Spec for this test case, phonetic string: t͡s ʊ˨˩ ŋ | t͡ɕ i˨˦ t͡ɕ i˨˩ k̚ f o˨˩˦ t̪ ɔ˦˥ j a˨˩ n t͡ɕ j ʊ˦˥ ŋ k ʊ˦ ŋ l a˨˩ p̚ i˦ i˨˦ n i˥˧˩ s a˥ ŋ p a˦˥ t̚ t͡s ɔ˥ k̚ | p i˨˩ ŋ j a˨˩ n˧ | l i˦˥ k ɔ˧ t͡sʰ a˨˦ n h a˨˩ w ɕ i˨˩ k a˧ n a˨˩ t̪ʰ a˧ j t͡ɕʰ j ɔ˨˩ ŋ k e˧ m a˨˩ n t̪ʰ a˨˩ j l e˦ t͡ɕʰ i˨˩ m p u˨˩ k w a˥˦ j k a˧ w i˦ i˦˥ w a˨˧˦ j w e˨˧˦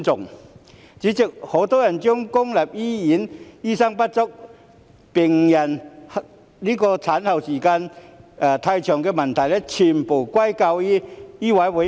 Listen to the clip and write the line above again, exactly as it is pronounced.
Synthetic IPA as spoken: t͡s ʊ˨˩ ŋ | t͡ɕ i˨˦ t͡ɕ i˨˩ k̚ h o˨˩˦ t̪ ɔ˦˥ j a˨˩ n t͡ɕ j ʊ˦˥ ŋ k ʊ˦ ŋ l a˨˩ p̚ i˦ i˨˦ n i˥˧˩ s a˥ ŋ p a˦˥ t̚ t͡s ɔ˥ k̚ | p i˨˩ ŋ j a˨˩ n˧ | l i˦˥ k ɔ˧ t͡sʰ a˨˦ n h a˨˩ w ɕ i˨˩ k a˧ n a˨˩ t̪ʰ a˧ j t͡ɕʰ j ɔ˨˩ ŋ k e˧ m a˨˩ n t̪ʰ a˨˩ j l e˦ t͡ɕʰ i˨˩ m p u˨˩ k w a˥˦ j k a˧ w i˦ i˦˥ w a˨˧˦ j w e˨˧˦